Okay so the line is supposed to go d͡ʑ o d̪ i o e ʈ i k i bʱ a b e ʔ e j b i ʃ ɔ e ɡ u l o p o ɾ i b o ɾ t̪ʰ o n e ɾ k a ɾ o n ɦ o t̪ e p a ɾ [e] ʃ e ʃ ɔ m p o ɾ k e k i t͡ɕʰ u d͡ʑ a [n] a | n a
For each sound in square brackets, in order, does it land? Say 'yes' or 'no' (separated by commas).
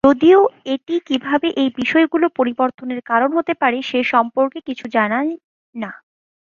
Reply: yes, yes